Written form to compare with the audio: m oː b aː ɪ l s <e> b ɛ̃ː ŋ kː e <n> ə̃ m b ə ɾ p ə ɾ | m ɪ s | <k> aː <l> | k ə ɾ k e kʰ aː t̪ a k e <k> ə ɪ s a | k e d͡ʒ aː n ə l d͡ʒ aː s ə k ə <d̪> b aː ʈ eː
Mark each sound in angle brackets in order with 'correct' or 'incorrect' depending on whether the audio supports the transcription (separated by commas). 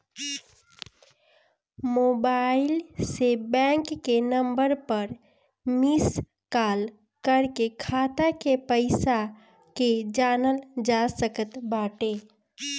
correct, correct, correct, correct, incorrect, incorrect